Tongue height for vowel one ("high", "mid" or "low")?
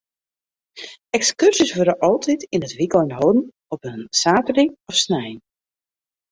mid